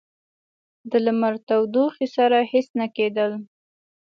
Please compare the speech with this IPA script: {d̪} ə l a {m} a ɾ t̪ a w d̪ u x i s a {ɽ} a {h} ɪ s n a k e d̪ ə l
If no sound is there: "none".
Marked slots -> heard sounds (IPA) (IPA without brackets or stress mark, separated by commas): d̪, m, ɾ, h